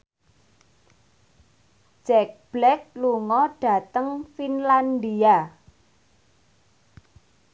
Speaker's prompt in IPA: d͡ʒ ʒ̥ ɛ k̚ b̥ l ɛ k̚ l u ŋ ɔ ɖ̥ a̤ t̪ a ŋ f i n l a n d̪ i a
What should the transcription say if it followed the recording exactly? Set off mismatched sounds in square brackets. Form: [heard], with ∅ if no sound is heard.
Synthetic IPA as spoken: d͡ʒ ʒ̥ ɛ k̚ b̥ l ɛ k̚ l u ŋ ɔ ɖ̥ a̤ t̪ [ə] ŋ f i n l a n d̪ i a